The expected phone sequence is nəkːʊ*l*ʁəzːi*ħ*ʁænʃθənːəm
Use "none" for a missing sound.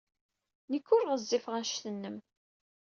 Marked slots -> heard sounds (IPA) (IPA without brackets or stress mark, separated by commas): ɾ, f